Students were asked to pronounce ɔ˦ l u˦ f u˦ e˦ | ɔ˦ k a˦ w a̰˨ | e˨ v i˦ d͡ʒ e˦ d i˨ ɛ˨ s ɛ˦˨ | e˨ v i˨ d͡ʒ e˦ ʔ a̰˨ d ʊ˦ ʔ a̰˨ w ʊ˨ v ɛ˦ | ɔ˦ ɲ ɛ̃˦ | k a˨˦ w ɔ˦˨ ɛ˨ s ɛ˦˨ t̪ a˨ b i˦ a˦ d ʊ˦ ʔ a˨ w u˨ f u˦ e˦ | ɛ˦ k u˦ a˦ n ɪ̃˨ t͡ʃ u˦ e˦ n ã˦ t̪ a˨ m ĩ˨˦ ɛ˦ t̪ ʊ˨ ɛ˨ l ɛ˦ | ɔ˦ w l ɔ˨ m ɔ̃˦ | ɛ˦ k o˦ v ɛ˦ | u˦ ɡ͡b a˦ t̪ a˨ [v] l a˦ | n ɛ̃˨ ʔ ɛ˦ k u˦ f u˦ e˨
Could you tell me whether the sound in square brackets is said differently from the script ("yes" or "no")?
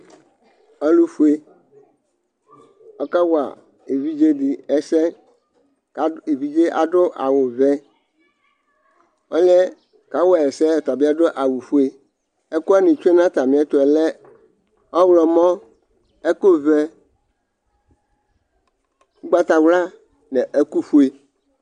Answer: yes